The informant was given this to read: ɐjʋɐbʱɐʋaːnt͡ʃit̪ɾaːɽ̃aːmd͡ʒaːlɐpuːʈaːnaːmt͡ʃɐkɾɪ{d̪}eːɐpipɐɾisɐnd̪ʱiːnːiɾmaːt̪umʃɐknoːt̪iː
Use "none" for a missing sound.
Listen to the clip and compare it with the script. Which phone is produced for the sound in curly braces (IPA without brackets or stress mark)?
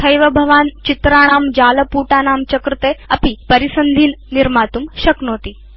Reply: t̪